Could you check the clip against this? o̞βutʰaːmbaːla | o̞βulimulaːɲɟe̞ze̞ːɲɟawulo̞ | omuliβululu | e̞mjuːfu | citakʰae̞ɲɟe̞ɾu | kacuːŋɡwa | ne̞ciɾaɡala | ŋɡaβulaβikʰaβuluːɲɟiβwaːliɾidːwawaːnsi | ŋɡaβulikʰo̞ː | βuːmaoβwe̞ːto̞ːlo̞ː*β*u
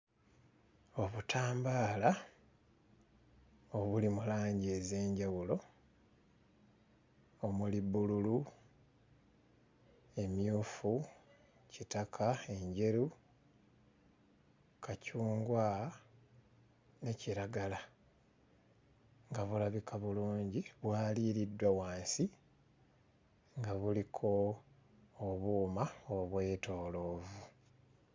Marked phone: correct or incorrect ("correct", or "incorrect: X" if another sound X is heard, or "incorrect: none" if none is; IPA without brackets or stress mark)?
incorrect: v